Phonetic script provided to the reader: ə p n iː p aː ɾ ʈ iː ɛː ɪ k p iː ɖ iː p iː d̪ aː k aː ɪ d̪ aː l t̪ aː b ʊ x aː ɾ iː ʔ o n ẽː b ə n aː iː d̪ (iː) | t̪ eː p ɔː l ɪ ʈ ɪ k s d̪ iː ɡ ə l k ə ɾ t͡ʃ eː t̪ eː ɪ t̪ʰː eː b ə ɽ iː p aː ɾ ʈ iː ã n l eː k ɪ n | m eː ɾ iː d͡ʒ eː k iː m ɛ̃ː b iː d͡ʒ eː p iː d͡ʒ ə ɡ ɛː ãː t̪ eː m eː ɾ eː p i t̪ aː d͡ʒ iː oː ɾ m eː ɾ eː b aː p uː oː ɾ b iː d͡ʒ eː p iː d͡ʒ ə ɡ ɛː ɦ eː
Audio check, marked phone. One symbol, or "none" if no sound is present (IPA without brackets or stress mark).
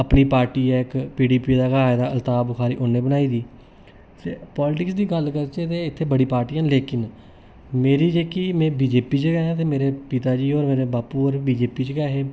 iː